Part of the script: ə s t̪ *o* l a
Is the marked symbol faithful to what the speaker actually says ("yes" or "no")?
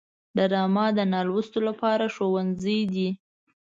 yes